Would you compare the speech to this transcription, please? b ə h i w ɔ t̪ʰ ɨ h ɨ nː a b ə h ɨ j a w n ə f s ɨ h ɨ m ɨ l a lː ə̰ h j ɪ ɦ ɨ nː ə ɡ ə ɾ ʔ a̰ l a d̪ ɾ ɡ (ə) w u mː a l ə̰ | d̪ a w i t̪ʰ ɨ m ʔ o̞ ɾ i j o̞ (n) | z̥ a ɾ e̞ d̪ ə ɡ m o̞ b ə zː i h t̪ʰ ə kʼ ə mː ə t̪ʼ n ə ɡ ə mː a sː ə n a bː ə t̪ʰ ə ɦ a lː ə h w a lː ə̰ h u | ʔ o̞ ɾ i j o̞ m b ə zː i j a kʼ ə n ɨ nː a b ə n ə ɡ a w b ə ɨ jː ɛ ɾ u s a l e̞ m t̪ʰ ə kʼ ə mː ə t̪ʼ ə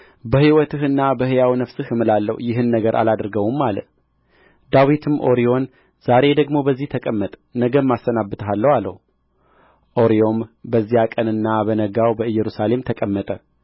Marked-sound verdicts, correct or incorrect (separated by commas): correct, correct